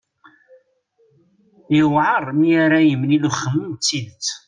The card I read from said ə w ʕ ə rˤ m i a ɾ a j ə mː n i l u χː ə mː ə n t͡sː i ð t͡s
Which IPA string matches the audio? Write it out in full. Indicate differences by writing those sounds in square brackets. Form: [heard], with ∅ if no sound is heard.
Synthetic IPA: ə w ʕ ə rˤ m i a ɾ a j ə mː n i l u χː ə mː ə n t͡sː i ð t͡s